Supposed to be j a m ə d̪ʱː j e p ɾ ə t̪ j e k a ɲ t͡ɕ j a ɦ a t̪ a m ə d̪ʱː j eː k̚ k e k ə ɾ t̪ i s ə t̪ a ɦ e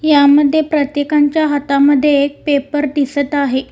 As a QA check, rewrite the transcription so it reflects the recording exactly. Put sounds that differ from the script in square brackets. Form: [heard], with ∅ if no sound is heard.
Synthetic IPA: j a m ə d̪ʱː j e p ɾ ə t̪ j e k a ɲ t͡ɕ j a ɦ a t̪ a m ə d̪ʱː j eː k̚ [p] e [p] ə ɾ [d̪] i s ə t̪ a ɦ e